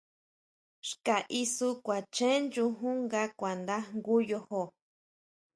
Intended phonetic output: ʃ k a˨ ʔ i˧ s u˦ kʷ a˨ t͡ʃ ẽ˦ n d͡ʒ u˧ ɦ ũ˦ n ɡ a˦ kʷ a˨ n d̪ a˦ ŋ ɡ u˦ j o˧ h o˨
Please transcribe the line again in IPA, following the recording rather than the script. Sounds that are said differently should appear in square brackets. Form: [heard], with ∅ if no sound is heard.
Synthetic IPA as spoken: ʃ k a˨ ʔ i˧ s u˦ kʷ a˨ t͡ʃ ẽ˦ n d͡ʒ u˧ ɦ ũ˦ [ŋ] ɡ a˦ kʷ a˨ n d̪ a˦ ŋ ɡ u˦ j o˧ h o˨